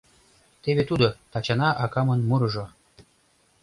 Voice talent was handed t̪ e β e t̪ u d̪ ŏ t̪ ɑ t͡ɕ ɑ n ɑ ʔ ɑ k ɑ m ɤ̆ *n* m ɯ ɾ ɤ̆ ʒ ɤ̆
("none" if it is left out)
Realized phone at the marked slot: n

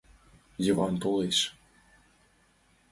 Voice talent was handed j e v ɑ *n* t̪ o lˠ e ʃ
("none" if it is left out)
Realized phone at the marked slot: n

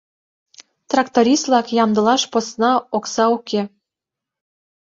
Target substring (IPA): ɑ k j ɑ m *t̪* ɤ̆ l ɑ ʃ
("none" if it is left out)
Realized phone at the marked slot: d̪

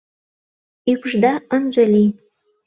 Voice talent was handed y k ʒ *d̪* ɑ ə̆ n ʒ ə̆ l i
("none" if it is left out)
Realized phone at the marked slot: d̪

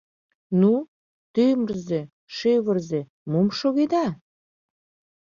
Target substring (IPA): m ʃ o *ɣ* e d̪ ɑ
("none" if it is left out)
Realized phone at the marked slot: ɣ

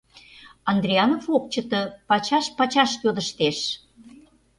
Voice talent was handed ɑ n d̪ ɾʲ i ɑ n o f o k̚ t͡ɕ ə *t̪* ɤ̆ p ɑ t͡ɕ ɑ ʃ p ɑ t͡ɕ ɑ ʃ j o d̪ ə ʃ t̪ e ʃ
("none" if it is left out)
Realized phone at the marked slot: t̪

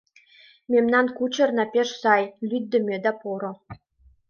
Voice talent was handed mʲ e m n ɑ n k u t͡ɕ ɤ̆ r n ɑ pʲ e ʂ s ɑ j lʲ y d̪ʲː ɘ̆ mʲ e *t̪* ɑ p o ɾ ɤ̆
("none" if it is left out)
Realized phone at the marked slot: d̪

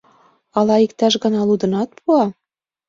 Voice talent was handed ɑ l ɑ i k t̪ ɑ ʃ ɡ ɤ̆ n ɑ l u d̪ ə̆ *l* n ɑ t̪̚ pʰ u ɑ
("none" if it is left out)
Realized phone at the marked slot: none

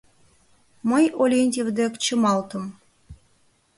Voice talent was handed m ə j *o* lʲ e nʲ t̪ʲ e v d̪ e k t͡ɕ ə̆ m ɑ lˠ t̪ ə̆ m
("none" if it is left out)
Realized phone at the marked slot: o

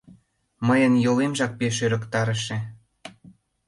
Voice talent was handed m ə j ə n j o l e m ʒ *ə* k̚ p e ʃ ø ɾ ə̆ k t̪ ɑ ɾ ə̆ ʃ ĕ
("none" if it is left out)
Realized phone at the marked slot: ɑ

